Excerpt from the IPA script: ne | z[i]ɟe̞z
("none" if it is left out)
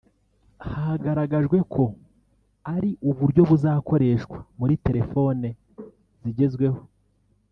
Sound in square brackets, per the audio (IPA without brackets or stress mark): i